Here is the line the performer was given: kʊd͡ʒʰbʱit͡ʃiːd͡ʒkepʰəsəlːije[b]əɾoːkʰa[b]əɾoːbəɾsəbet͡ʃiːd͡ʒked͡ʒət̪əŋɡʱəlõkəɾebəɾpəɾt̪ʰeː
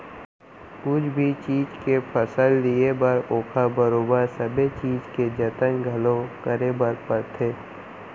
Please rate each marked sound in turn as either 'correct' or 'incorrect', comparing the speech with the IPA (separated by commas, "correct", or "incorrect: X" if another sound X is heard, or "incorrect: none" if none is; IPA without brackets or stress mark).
correct, correct